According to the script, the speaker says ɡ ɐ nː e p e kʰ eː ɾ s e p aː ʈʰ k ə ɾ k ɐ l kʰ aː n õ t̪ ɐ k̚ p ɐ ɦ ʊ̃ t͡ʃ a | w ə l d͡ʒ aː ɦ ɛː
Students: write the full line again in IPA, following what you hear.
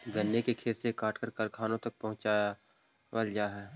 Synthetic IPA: ɡ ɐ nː e k e kʰ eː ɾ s e k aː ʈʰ k ə ɾ k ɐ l kʰ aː n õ t̪ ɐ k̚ p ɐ ɦ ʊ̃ t͡ʃ a | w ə l d͡ʒ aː ɦ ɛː